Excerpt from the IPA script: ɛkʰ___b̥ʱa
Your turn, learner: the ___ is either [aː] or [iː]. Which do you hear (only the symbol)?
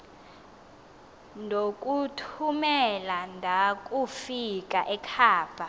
aː